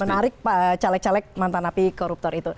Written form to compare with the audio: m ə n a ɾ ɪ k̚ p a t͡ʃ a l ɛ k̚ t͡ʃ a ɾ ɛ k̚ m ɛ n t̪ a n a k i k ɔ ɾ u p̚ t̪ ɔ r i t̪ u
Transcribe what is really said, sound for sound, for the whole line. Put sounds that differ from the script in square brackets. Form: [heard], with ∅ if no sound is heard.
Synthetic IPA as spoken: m ə n a ɾ ɪ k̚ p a t͡ʃ a l ɛ k̚ t͡ʃ a [l] ɛ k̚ m [a] n t̪ a n a [p] i k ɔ ɾ u p̚ t̪ ɔ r i t̪ u